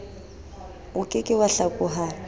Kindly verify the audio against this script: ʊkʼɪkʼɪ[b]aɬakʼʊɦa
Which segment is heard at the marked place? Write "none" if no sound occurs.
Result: w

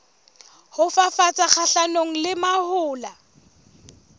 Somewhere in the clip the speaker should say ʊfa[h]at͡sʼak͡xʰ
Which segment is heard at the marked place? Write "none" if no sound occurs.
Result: f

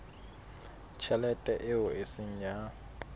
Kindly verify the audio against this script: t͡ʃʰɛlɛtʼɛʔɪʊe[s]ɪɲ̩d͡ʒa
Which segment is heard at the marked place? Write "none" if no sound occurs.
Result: s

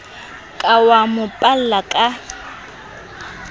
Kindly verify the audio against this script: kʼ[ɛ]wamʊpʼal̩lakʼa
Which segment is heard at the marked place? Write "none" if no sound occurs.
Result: a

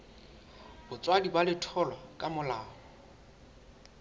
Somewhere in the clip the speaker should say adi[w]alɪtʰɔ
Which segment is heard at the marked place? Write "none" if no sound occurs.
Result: b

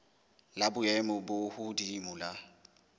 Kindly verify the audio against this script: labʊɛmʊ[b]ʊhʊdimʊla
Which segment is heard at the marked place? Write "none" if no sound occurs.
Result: b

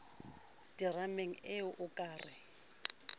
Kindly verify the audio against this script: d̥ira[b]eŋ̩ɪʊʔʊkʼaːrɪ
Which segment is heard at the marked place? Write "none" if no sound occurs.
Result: m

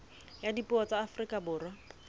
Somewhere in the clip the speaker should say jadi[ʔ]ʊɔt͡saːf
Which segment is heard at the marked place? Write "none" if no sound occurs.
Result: p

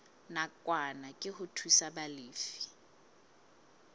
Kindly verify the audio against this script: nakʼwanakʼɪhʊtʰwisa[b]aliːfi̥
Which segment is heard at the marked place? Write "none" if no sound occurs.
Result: b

